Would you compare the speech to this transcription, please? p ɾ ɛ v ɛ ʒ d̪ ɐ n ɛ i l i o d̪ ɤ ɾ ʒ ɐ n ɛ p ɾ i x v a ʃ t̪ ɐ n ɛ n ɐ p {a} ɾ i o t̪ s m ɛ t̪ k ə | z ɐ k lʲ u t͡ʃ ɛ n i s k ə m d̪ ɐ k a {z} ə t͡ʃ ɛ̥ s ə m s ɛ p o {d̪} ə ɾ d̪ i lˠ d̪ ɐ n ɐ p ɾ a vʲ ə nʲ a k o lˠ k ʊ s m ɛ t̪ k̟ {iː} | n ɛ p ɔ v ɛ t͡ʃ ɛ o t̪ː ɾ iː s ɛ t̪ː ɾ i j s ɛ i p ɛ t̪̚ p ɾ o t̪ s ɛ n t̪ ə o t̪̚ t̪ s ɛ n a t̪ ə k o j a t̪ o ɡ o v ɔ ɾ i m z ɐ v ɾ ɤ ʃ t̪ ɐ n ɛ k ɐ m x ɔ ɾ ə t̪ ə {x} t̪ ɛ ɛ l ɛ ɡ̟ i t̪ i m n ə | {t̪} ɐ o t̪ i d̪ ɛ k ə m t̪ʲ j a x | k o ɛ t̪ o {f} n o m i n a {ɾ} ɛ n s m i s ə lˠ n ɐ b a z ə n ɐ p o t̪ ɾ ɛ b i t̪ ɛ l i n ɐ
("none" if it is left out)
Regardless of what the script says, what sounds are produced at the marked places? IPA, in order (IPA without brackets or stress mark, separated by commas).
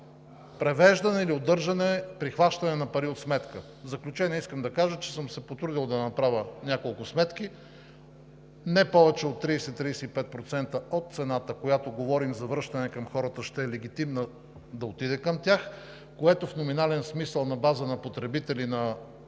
ɐ, ʒ, t̪, i, ʃ, d̪, f, l